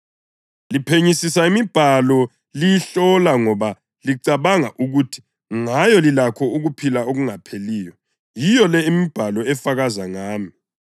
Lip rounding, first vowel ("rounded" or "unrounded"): unrounded